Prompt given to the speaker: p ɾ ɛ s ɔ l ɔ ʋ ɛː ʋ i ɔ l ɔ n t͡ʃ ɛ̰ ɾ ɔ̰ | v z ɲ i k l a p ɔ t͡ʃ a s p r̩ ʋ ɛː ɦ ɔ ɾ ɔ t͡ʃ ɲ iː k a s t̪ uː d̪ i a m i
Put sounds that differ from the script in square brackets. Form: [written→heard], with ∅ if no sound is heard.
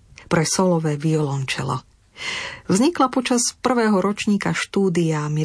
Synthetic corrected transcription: p ɾ ɛ s ɔ l ɔ ʋ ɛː ʋ i ɔ l ɔ n t͡ʃ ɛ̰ [ɾ→l] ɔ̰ | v z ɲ i k l a p ɔ t͡ʃ a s p r̩ ʋ ɛː ɦ ɔ ɾ ɔ t͡ʃ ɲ iː k a [s→ʃ] t̪ uː d̪ i a m i